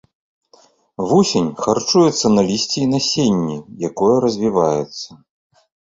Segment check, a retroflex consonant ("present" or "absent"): present